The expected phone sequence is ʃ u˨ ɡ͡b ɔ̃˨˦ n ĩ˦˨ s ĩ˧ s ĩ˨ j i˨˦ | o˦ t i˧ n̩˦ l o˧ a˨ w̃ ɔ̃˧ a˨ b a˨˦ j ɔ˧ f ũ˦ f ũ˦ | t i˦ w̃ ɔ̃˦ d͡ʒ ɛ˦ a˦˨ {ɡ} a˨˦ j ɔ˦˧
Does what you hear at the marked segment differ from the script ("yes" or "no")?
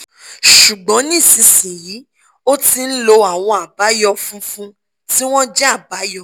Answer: yes